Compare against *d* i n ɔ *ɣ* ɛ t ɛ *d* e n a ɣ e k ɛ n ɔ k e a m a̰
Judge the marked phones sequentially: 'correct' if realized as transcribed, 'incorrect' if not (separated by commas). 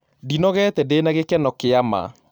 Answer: correct, correct, correct